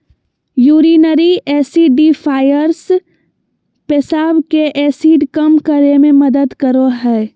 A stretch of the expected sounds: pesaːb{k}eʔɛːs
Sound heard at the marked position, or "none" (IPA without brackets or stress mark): k